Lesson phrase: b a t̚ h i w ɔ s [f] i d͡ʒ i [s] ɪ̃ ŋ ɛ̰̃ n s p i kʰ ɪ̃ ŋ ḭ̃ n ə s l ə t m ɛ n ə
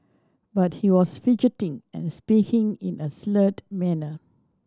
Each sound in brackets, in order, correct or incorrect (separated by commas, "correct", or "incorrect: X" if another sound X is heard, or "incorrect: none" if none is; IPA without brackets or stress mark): correct, incorrect: t